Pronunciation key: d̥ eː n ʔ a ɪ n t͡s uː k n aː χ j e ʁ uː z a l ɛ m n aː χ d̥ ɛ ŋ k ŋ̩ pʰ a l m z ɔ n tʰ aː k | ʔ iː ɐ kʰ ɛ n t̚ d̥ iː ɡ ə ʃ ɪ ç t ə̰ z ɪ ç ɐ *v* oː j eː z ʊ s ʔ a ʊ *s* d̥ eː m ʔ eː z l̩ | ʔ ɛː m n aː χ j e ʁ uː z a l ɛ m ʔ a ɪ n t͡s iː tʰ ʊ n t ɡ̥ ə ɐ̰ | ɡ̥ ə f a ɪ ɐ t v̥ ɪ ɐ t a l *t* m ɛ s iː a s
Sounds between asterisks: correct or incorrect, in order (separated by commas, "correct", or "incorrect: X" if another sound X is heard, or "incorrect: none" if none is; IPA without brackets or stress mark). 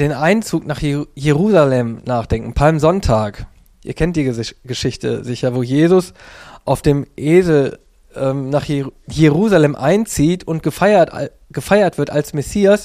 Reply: correct, incorrect: f, incorrect: s